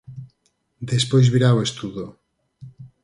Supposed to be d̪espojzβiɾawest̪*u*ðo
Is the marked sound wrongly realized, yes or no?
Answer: no